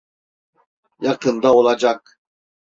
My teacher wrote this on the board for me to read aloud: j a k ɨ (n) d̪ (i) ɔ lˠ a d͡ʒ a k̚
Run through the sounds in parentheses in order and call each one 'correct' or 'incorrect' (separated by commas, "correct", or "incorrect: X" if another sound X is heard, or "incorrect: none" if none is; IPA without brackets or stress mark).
correct, incorrect: a